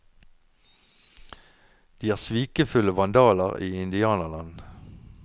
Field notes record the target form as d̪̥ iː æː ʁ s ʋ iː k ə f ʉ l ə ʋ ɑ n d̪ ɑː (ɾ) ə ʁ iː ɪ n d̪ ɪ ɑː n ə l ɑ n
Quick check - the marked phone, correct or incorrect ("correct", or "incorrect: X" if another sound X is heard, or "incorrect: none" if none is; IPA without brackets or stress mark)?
incorrect: l